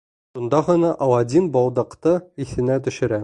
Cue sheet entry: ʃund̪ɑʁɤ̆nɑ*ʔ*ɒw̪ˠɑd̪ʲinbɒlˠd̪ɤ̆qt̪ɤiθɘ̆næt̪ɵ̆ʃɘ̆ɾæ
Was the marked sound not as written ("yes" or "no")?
no